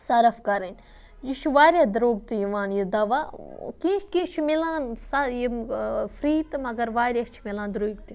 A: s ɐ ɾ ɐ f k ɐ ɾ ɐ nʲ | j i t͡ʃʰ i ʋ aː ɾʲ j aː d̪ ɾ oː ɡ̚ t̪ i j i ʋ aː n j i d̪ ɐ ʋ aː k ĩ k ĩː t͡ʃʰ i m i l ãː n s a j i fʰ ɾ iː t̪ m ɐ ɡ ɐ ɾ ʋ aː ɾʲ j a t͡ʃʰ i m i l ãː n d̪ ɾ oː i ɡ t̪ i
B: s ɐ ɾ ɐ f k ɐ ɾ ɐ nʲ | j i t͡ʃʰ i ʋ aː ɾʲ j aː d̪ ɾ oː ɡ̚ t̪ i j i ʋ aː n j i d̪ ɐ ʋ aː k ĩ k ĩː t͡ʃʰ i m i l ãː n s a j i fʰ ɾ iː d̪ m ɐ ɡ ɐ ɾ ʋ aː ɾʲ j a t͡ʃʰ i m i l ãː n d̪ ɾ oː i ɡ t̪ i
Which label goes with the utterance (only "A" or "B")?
A